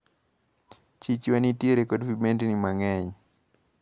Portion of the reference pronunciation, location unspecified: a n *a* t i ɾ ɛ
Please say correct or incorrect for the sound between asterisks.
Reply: incorrect: i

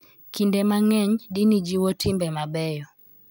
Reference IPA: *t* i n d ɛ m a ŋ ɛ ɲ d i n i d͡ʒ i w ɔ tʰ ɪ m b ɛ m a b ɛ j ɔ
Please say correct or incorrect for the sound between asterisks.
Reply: incorrect: k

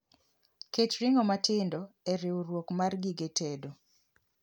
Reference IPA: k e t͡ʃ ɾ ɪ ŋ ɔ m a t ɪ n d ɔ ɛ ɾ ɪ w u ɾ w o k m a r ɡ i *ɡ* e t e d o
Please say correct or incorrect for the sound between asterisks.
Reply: correct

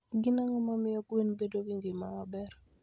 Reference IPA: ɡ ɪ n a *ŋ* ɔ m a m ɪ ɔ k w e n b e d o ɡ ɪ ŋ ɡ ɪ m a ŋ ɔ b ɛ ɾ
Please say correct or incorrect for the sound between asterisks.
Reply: correct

